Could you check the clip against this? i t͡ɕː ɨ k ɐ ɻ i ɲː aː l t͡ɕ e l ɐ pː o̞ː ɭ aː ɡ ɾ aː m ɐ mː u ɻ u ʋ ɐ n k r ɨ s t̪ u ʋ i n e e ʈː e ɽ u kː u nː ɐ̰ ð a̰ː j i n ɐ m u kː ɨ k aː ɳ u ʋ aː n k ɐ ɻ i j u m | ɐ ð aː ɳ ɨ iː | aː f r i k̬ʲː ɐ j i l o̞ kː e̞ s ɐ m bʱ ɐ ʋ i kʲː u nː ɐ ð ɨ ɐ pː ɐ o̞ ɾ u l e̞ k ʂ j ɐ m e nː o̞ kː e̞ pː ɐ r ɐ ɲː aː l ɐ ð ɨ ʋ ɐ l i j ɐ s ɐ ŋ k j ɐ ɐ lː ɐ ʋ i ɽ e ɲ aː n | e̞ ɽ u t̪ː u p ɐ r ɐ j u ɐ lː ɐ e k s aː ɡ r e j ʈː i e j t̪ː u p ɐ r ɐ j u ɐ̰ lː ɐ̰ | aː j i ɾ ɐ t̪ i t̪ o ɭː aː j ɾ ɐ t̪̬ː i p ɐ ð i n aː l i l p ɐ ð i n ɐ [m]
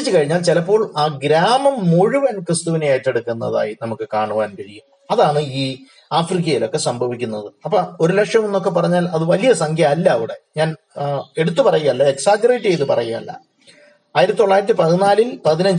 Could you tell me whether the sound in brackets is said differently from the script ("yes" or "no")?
yes